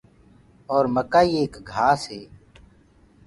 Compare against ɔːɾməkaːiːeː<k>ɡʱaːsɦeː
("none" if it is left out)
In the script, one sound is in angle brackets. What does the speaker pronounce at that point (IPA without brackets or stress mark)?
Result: k